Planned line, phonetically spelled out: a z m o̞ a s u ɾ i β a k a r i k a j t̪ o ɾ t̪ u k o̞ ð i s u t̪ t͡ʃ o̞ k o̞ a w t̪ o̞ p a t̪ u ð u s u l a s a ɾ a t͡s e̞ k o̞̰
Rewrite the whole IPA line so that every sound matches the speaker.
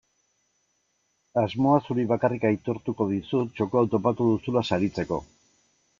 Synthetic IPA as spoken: a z m o̞ a s u ɾ i β a k a r i k a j t̪ o ɾ t̪ u k o̞ ð i s u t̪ t͡ʃ o̞ k o̞ a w t̪ o̞ p a t̪ u ð u s u l a s a ɾ i t͡s e̞ k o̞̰